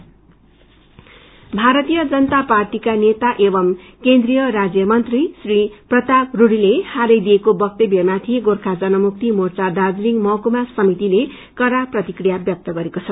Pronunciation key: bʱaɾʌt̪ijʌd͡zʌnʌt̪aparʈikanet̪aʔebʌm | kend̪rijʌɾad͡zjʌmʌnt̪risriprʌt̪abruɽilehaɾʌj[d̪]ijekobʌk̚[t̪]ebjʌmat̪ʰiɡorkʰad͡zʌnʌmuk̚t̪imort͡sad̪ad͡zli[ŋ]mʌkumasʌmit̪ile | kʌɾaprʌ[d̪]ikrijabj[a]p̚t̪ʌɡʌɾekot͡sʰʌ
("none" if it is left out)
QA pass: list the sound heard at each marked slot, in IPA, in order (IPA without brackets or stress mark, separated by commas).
d̪, t̪, ŋ, t̪, ʌ